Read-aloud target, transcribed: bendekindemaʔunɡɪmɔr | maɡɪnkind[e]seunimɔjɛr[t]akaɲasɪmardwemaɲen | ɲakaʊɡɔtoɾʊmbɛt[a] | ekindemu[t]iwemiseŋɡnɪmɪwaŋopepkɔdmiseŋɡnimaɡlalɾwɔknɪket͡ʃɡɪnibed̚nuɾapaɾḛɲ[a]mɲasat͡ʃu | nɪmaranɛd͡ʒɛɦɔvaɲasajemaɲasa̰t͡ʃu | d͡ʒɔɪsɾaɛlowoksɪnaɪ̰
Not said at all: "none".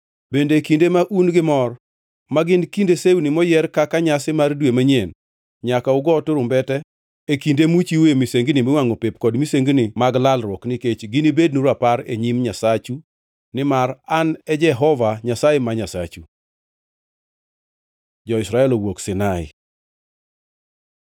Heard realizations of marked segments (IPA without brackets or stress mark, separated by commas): e, k, ɛ, t͡ʃ, i